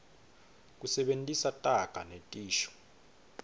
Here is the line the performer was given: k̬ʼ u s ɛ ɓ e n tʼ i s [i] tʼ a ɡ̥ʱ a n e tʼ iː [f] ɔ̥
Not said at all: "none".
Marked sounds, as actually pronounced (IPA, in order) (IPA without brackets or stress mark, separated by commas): a, ʃ